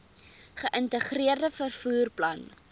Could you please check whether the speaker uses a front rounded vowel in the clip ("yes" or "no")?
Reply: no